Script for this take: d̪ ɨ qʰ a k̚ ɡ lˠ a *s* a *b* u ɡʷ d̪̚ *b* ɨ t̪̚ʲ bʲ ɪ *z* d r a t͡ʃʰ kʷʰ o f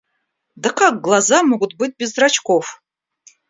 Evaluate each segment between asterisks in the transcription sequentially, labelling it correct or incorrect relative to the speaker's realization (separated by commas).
incorrect, incorrect, correct, correct